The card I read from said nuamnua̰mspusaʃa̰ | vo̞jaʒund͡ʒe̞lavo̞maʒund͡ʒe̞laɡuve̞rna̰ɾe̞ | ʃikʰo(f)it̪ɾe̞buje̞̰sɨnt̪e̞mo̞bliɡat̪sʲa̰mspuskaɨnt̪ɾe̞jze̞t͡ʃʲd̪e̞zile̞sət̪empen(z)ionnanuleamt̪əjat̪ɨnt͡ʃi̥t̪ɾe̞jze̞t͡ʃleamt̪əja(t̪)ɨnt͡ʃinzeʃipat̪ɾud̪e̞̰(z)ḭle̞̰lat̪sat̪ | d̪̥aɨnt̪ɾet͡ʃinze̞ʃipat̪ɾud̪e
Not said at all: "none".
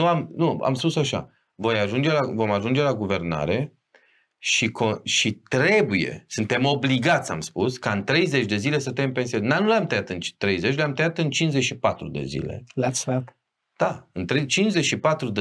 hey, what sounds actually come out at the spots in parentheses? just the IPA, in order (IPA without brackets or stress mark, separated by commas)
ʃ, s, t̪, z